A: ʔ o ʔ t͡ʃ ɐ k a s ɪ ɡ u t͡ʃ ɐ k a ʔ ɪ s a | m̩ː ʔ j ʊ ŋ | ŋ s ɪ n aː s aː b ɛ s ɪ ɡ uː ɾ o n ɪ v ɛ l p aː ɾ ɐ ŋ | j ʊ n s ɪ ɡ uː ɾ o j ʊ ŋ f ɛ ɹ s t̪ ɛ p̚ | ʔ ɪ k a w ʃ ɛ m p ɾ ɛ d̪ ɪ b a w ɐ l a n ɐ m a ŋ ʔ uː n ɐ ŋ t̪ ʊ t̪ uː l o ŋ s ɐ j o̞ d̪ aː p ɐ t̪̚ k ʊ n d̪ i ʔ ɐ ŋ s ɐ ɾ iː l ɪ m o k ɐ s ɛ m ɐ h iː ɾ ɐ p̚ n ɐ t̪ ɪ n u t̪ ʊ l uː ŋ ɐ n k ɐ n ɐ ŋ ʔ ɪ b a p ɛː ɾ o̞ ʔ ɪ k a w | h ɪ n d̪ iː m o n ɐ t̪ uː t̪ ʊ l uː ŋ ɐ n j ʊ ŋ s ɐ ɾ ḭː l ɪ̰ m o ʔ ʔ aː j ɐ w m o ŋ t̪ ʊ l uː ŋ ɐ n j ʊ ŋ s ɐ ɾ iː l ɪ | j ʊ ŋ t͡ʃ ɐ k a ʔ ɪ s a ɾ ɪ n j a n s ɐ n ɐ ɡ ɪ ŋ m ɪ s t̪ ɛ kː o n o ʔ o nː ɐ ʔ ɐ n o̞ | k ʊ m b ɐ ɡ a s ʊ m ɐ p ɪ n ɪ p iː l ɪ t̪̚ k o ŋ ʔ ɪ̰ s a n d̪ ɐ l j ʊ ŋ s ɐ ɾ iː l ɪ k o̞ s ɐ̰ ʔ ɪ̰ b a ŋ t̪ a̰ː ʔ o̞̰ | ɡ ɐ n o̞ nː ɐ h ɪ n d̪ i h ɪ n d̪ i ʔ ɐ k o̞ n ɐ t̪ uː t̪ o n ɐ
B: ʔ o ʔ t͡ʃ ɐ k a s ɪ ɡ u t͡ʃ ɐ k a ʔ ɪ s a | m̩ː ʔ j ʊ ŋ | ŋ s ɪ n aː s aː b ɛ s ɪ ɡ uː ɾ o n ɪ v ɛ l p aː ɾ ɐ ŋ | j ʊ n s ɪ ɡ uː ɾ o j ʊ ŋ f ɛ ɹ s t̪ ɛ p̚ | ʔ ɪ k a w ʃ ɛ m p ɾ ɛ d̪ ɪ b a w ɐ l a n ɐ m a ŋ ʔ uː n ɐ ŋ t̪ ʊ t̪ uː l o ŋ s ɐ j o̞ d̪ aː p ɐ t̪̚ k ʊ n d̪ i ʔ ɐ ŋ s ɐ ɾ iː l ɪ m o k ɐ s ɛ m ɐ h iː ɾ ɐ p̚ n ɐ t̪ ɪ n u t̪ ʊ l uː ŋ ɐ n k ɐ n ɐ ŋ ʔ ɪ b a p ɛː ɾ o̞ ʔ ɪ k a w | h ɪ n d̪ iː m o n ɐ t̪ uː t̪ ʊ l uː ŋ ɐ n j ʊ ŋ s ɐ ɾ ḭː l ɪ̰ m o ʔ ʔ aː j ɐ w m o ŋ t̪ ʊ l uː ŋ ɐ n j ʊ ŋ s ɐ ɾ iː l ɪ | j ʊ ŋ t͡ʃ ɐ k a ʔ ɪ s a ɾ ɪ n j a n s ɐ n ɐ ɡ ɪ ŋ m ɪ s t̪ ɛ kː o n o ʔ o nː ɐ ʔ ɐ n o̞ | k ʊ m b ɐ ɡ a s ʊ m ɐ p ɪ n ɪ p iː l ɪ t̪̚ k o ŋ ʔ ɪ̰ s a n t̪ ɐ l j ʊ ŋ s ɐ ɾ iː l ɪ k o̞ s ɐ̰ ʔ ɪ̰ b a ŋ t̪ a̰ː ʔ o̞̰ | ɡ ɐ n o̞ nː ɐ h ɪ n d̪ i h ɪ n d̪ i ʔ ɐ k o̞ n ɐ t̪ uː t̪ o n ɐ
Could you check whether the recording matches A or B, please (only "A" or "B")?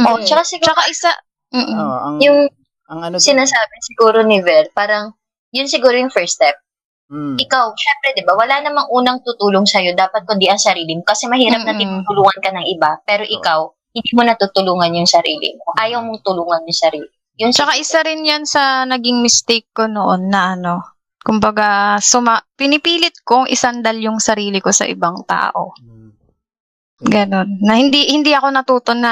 A